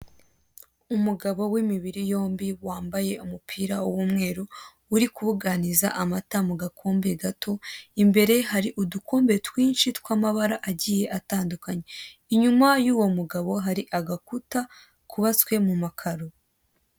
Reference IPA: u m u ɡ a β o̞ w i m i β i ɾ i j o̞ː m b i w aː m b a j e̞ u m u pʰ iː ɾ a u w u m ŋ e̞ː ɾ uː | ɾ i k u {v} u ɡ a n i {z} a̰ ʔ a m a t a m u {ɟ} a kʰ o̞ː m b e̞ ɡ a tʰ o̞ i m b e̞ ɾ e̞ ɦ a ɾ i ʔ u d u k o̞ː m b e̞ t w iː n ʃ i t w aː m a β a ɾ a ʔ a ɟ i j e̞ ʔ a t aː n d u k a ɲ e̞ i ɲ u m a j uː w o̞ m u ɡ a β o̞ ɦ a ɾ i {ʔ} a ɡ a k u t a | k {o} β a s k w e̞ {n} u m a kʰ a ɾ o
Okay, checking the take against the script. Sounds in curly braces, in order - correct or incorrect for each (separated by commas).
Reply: incorrect, correct, incorrect, correct, incorrect, incorrect